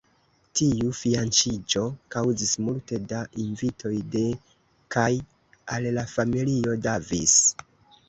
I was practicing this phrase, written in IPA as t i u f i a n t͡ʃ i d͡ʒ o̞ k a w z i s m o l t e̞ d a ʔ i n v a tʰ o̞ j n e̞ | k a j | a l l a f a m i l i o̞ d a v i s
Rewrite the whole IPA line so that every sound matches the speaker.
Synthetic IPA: t i u f i a n t͡ʃ i d͡ʒ o̞ k a w z i s m u l t e̞ d a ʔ i n v i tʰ o̞ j d e̞ | k a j | a l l a f a m i l i o̞ d a v i s